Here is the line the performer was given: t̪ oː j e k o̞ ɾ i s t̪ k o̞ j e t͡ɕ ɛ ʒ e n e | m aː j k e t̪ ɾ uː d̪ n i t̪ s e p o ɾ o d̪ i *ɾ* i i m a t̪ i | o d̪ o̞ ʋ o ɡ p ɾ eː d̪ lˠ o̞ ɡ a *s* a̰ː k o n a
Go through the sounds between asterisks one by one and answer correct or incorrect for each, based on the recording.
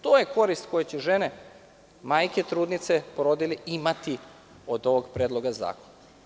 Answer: incorrect: l, incorrect: z

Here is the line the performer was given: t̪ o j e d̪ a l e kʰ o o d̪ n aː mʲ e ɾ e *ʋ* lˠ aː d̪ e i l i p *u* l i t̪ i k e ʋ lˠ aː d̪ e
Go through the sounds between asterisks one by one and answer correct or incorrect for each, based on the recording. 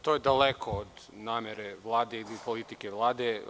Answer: correct, incorrect: o

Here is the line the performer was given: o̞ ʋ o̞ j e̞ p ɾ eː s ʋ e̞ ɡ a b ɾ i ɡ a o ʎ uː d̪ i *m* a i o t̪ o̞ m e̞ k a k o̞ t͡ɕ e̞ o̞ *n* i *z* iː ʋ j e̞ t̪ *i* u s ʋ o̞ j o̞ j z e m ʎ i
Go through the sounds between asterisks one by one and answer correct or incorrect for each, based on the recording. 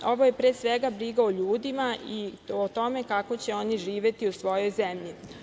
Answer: correct, correct, incorrect: ʒ, correct

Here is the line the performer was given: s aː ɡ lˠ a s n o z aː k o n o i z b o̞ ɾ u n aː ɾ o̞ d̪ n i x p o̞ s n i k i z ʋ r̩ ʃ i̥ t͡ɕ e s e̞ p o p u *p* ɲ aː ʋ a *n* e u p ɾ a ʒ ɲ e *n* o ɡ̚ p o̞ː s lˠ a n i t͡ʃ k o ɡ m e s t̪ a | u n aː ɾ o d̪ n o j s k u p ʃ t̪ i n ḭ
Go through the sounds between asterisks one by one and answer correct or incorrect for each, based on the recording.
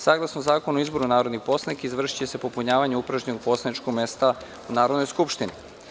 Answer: incorrect: none, incorrect: ɲ, correct

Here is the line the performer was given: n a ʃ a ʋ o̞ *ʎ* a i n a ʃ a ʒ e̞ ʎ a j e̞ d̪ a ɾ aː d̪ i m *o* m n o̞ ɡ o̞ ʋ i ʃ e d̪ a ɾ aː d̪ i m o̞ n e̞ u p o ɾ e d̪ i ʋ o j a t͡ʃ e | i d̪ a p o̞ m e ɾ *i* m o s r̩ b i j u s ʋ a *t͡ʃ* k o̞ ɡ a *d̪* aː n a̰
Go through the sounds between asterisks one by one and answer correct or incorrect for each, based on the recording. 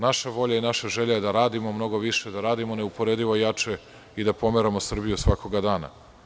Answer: correct, correct, incorrect: a, incorrect: none, correct

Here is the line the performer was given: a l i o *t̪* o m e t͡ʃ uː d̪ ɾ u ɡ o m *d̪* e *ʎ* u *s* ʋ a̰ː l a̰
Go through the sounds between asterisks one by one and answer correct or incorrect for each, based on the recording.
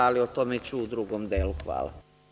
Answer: correct, correct, incorrect: l, incorrect: x

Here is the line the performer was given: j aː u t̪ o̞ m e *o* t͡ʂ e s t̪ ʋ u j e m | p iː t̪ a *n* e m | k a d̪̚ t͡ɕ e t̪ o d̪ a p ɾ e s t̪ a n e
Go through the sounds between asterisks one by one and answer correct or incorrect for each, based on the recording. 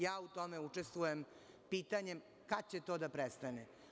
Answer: incorrect: u, incorrect: ɲ

